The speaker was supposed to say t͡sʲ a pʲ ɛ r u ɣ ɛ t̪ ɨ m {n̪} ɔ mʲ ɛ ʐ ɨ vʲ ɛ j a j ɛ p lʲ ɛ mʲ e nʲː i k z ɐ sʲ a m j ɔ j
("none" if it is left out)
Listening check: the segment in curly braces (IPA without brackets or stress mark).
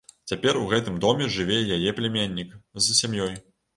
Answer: d̪